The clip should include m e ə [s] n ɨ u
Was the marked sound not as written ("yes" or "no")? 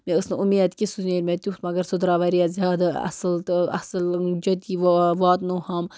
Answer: no